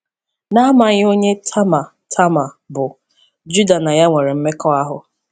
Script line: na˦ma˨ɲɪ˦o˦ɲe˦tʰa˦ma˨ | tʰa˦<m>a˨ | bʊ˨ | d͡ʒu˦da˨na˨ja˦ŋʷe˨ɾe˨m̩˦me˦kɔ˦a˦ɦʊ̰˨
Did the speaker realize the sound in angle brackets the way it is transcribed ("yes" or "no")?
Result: yes